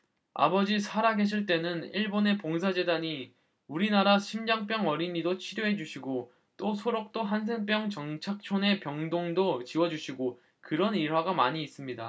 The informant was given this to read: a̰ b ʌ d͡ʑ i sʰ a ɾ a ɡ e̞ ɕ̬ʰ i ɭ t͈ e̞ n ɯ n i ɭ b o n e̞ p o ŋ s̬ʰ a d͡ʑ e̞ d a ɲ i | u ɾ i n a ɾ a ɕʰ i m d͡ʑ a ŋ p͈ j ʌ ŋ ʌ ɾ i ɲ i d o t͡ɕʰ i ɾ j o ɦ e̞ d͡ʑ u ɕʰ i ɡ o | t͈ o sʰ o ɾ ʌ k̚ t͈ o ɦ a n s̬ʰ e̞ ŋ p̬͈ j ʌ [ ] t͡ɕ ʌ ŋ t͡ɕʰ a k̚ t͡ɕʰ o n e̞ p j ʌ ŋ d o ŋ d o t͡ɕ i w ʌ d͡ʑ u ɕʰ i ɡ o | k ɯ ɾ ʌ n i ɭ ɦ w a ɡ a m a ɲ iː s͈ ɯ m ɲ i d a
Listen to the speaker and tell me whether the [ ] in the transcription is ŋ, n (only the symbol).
ŋ